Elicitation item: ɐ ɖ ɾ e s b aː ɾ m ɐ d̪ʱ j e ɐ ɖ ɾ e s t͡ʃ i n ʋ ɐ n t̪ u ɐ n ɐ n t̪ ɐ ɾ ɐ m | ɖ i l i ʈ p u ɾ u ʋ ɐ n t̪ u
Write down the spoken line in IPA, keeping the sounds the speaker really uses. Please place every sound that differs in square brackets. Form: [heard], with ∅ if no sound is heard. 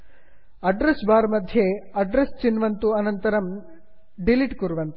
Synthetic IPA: ɐ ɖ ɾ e s b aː ɾ m ɐ d̪ʱ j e ɐ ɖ ɾ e s t͡ʃ i n ʋ ɐ n t̪ u ɐ n ɐ n t̪ ɐ ɾ ɐ m | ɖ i l i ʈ [k] u ɾ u ʋ ɐ n t̪ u